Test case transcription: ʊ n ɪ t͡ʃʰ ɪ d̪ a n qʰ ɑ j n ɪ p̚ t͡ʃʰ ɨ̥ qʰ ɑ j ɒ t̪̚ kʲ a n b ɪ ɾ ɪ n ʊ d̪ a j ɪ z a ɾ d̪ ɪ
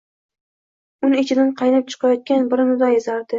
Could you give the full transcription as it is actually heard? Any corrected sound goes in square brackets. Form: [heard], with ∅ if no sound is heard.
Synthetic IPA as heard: ʊ n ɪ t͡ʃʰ ɪ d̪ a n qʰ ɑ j n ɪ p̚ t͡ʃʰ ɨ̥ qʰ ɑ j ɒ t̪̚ kʲ a n b ɪ ɾ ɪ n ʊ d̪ a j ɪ z a ɾ d̪ ɪ